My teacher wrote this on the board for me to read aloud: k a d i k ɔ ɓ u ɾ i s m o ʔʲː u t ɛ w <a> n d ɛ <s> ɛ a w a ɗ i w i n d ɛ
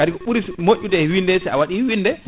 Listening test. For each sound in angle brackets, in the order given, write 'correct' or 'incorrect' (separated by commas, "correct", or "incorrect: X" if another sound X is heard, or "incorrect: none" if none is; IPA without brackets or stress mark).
incorrect: i, correct